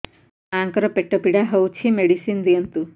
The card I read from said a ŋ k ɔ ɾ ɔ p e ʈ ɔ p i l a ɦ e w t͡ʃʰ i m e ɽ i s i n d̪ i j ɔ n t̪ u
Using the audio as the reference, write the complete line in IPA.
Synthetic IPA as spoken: a ŋ k ɔ ɾ ɔ p e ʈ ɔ p i ɽ a ɦ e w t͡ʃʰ i m e ɽ i s i n d̪ i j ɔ n t̪ u